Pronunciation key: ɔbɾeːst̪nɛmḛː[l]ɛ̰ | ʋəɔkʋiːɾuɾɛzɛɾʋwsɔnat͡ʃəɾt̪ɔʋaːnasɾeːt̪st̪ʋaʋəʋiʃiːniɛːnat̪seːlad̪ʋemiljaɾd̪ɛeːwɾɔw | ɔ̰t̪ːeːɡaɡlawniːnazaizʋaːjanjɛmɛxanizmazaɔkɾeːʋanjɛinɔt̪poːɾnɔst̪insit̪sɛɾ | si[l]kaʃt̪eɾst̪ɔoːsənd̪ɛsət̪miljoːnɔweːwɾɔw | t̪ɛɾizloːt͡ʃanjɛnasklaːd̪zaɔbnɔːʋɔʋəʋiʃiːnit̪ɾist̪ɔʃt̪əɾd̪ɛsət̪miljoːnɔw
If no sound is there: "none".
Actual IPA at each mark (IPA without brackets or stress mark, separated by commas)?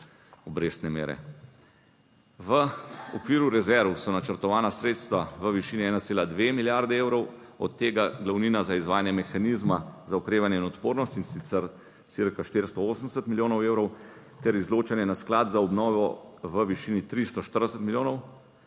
ɾ, ɾ